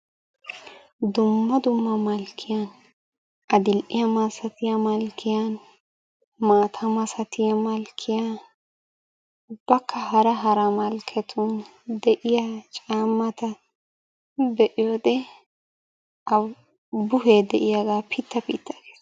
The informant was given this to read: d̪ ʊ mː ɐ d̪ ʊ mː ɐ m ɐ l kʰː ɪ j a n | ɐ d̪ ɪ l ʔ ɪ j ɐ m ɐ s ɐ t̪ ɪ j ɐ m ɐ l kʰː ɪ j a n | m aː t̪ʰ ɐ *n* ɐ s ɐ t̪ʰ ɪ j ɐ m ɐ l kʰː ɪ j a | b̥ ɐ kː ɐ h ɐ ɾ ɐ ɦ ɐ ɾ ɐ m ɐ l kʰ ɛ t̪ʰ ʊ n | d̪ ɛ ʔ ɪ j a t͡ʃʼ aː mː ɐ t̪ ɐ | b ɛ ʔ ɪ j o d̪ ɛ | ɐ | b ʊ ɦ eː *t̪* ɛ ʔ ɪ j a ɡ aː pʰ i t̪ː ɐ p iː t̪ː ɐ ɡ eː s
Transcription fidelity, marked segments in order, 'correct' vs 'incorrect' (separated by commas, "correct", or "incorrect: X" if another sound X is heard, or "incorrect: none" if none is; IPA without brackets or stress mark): incorrect: m, incorrect: d̪